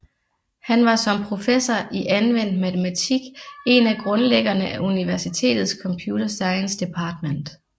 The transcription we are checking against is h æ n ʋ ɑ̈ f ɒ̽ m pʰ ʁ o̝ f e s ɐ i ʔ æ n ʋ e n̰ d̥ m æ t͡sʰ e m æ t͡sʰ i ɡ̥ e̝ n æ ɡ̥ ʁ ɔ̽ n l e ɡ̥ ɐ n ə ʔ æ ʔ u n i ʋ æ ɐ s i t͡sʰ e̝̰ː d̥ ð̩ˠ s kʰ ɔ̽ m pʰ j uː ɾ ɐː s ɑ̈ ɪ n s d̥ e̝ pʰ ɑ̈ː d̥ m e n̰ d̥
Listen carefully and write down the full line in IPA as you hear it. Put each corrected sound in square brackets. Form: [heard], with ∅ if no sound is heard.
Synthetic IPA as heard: h æ n ʋ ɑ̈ [s] ɒ̽ m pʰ ʁ o̝ f e s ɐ i ʔ æ n ʋ e n̰ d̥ m æ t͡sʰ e m æ t͡sʰ i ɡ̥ e̝ n æ ɡ̥ ʁ ɔ̽ n l e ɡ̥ ɐ n ə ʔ æ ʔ u n i ʋ æ ɐ s i t͡sʰ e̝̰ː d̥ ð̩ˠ s kʰ [ɒ̽] m pʰ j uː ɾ [ɐ] s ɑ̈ ɪ n s d̥ e̝ pʰ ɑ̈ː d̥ m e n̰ d̥